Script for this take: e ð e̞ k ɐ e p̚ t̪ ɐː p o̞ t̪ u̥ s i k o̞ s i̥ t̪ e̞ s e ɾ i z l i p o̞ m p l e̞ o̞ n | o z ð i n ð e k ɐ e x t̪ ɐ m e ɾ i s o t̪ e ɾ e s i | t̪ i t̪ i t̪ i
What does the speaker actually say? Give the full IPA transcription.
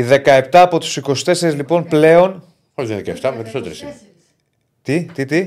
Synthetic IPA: i ð e̞ k ɐ e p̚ t̪ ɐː p o̞ t̪ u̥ s i k o̞ s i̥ t̪ e̞ s e ɾ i z l i p o̞ n p l e̞ o̞ n | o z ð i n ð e k ɐ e f t̪ ɐ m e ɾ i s o t̪ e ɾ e s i | t̪ i t̪ i t̪ i